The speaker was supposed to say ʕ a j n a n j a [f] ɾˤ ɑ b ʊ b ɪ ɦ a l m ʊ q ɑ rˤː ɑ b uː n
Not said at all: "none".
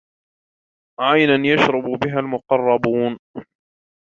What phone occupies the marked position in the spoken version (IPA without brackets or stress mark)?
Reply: ʃ